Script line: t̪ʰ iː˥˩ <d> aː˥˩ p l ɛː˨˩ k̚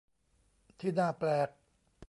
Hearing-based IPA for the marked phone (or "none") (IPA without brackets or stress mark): n